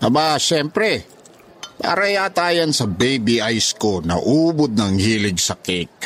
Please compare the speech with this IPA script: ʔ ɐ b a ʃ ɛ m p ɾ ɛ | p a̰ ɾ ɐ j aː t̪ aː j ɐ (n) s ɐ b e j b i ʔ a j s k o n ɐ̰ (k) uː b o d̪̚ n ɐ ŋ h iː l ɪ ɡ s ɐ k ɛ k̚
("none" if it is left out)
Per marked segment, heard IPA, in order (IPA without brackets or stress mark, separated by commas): n, ʔ